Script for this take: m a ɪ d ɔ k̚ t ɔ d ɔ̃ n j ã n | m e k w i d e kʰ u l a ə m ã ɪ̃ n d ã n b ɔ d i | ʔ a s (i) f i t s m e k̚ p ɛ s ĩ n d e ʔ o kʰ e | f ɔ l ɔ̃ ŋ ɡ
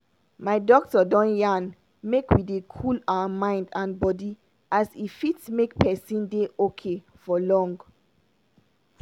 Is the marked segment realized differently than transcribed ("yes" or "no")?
no